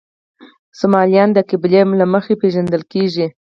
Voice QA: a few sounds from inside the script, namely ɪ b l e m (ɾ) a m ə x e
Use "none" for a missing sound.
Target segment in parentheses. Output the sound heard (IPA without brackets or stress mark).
l